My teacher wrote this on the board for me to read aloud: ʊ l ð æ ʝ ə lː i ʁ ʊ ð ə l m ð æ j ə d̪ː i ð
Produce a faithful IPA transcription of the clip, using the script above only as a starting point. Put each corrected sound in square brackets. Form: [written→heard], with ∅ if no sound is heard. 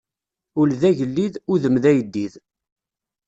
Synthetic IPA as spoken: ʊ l ð æ ʝ ə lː i [ʁ→ð] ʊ ð ə [l→∅] m ð æ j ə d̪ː i ð